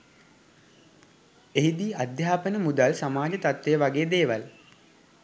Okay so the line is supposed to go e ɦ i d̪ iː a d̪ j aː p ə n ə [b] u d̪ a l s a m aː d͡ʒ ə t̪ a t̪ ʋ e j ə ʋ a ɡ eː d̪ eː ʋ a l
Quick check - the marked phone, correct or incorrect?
incorrect